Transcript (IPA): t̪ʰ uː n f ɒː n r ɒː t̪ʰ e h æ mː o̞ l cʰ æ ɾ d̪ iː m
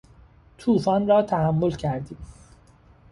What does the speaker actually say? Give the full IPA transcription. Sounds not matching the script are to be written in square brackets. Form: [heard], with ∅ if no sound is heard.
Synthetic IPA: t̪ʰ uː [∅] f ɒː n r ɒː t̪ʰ [æ] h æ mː o̞ l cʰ æ ɾ d̪ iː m